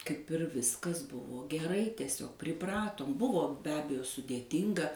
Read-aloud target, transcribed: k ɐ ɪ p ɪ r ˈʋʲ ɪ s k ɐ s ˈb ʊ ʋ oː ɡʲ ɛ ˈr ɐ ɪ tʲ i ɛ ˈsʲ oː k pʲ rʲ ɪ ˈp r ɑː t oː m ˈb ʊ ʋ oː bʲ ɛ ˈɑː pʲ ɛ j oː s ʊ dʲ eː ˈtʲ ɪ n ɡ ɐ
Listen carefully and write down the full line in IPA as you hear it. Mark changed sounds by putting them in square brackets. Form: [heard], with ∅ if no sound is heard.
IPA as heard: k ɐ ɪ p ɪ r ˈʋʲ ɪ s k ɐ s ˈb ʊ ʋ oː ɡʲ ɛ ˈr ɐ ɪ tʲ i ɛ ˈsʲ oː k pʲ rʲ ɪ ˈp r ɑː t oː m ˈb ʊ ʋ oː bʲ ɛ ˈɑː [bʲ] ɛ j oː s ʊ dʲ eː ˈtʲ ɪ [ŋ] ɡ ɐ